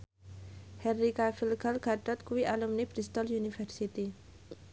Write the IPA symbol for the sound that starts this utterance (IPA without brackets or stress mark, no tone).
h